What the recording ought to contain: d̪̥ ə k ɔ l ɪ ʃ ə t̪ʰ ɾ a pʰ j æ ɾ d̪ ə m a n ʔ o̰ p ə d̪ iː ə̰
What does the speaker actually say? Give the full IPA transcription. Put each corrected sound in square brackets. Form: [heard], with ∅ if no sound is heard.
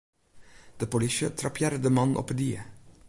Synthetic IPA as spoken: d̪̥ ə [p] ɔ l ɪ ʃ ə t̪ʰ ɾ [ɑ] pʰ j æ ɾ d̪ ə m [ɑ] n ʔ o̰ p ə d̪ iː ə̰